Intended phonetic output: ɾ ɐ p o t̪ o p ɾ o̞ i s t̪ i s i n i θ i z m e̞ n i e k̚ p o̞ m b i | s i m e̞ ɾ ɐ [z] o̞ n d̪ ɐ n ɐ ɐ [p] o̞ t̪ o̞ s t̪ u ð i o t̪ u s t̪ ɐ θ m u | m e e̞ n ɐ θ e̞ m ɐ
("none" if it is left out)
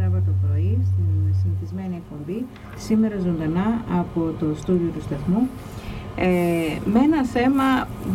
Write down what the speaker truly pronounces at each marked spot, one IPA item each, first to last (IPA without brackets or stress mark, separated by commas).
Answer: z, p